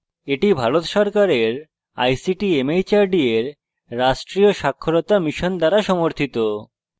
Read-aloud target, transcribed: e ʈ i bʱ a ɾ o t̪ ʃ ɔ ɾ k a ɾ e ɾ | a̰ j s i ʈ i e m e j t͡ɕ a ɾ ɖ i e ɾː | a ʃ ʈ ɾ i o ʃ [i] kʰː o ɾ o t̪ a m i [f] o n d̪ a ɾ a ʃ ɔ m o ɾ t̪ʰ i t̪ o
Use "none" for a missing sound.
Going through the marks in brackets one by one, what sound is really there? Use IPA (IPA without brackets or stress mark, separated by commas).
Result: a, ʃ